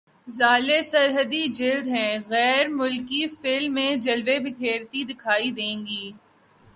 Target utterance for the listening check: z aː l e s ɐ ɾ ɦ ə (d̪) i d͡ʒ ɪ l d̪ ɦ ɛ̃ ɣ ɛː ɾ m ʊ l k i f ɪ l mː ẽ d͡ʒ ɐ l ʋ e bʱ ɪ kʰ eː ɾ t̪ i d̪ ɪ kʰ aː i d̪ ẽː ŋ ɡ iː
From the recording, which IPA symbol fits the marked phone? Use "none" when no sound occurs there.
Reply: d̪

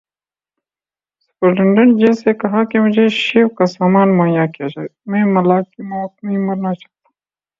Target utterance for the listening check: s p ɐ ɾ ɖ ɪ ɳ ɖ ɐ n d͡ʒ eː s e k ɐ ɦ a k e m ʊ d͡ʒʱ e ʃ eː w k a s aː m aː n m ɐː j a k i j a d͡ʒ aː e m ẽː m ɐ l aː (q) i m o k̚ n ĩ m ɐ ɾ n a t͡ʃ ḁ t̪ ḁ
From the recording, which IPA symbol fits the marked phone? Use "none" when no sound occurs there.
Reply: k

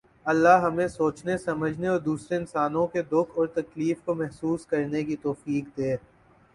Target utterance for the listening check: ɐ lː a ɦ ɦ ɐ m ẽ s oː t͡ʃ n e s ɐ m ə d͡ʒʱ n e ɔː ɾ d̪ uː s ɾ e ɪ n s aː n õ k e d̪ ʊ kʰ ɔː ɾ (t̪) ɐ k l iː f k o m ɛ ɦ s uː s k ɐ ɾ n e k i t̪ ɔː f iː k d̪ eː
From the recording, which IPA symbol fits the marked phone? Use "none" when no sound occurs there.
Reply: t̪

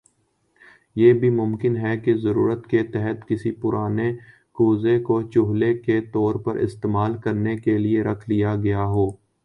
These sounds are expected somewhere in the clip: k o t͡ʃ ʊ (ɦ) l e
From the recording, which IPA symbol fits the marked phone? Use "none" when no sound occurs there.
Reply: ɦ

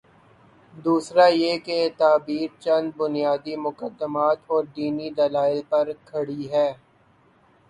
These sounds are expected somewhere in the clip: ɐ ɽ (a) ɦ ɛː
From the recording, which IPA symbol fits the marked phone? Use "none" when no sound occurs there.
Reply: i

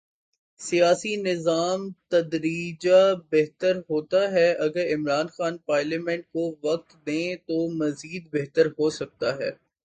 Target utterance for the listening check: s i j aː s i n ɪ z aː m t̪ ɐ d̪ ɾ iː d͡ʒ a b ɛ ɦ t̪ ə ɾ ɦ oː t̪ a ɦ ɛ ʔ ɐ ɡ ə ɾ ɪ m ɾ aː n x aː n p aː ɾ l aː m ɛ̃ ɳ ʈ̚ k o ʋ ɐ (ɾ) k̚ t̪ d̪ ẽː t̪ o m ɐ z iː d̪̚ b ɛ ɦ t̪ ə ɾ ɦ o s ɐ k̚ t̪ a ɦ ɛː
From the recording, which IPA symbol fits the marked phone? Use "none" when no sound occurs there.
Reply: none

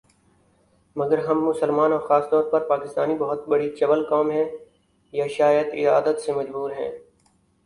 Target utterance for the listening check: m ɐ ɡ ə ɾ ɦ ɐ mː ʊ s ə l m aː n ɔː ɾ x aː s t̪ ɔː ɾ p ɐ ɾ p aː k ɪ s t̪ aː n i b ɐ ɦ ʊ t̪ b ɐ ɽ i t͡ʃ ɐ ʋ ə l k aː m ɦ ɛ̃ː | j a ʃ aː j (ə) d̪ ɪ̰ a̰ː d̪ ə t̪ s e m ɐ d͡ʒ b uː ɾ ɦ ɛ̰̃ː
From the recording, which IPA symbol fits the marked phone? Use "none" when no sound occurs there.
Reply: ə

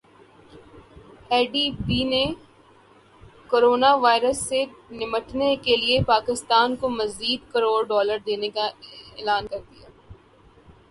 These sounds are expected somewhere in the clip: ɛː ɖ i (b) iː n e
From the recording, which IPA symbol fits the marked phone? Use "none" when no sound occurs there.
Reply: b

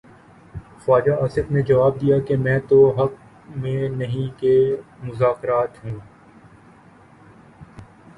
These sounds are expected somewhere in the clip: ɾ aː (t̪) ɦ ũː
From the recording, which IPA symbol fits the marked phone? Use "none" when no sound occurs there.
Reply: t̪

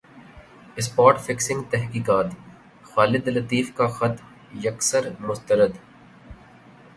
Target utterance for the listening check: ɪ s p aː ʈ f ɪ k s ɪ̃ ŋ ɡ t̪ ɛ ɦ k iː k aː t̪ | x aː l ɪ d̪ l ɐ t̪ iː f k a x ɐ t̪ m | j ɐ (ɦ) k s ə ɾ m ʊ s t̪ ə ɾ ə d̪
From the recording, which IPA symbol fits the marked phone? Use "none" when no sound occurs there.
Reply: none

